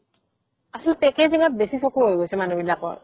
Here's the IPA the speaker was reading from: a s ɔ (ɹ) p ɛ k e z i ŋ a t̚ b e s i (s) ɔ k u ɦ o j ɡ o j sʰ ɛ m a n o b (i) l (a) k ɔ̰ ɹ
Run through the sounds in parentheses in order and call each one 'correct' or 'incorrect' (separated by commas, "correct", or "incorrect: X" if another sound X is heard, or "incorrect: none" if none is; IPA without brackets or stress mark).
incorrect: l, correct, correct, correct